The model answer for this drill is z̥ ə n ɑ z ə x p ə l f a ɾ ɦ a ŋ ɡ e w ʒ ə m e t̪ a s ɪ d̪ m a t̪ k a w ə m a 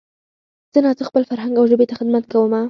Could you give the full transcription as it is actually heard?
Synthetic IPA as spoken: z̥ ə n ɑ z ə x p ə l f a ɾ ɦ a ŋ ɡ a w ʒ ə b e t̪ a x ɪ d̪ m a t̪ k a w ə m a